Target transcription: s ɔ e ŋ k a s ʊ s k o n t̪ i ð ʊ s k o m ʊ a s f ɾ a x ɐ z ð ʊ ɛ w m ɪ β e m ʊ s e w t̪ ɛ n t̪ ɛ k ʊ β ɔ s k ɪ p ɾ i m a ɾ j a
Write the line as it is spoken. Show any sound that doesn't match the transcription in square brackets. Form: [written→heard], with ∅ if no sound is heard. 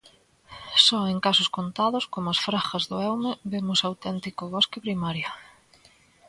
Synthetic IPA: s ɔ e ŋ k a s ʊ s k o n t̪ [i→a] ð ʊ s k o m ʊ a s f ɾ a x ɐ z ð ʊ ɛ w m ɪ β e m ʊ s [e→a] w t̪ ɛ n t̪ [ɛ→i] k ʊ β ɔ s k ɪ p ɾ i m a ɾ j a

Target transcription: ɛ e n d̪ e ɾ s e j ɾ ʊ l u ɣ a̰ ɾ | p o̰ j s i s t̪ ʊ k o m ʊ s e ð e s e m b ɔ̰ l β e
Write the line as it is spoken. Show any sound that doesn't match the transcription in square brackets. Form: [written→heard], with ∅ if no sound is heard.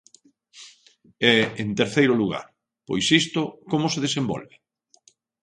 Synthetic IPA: ɛ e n [d̪→t̪] e ɾ [s→θ] e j ɾ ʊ l u ɣ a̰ ɾ | p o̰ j s i s t̪ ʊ k o m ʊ s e ð e s e m b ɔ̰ l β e

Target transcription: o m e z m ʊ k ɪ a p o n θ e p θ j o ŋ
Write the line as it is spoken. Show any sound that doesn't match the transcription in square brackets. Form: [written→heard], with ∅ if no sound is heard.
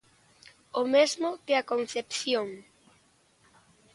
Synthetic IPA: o m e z m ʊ k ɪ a [p→k] o n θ e p θ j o ŋ

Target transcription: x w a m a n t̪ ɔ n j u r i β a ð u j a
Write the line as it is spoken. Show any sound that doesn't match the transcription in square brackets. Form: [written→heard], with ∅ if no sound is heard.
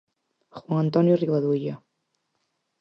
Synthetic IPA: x w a [m→ŋ] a n t̪ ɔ n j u r i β a ð u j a

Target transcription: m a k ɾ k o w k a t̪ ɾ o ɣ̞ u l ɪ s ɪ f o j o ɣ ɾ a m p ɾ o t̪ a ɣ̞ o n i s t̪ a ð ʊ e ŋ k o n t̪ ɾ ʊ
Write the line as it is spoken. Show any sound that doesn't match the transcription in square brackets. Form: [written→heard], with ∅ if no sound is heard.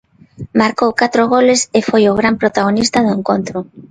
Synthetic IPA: m a [k→∅] ɾ k o w k a t̪ ɾ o ɣ̞ [u→o] l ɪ s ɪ f o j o ɣ ɾ a m p ɾ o t̪ a ɣ̞ o n i s t̪ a ð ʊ e ŋ k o n t̪ ɾ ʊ

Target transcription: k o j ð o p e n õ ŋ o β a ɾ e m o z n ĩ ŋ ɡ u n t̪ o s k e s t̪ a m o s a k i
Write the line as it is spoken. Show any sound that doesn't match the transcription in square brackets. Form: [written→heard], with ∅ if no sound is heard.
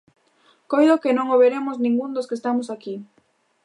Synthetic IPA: k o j ð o [p→k] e n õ ŋ o β [a→e] ɾ e m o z n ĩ ŋ ɡ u n [t̪→d̪] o s k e s t̪ a m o s a k i

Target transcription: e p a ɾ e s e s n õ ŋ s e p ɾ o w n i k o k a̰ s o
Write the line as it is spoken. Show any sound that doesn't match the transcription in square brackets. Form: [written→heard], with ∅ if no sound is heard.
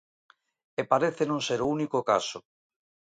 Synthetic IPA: e p a ɾ e [s→θ] e [s→∅] n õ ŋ s e [p→∅] ɾ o [w→u] n i k o k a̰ s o

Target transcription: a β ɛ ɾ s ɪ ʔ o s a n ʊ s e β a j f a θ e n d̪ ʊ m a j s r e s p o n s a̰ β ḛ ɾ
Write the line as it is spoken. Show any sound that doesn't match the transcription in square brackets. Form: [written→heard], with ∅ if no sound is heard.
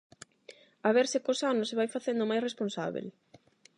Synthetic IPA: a β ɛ ɾ s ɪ [ʔ→k] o s a n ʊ s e β a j f a θ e n d̪ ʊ m a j s r e s p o n s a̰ β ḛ [ɾ→l]

